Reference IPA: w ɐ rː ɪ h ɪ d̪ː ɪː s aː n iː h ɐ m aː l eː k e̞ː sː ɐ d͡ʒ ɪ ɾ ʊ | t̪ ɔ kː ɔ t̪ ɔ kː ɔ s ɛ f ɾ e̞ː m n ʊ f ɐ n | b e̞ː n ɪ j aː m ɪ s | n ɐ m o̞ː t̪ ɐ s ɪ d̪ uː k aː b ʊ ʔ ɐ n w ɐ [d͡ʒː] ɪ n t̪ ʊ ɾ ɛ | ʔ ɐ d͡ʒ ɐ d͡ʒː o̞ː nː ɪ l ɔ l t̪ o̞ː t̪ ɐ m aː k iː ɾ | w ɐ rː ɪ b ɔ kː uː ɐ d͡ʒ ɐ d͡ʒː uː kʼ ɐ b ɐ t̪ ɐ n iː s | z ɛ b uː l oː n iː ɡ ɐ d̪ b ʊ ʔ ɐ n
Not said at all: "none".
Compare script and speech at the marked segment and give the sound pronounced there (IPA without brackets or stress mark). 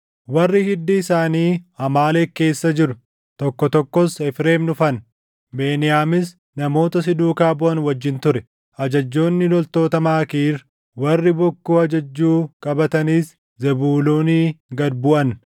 d͡ʒː